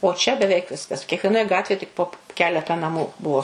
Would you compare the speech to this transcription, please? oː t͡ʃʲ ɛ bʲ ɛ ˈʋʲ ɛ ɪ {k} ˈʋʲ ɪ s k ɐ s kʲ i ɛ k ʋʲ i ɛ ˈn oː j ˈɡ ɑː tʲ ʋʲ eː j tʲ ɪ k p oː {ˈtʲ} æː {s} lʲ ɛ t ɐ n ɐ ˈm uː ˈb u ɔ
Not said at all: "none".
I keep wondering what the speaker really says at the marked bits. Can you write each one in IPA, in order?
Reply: k, kʲ, none

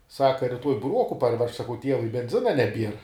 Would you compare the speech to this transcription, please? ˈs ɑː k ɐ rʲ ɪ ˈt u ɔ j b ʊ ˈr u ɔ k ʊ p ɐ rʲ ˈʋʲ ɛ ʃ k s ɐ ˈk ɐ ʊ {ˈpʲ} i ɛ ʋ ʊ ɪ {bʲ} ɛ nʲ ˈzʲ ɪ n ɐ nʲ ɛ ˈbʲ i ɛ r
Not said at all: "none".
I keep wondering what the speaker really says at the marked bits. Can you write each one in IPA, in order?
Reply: tʲ, bʲ

